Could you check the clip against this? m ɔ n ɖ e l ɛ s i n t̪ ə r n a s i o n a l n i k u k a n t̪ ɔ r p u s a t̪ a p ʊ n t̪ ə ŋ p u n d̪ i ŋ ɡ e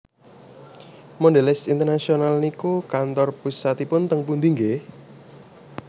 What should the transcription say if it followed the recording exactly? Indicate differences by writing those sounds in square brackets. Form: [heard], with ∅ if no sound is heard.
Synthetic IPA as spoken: m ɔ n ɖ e l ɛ s i n t̪ ə r n a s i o n a l n i k u k a n t̪ ɔ r p u s a t̪ [i] p ʊ n t̪ ə ŋ p u n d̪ i ŋ ɡ e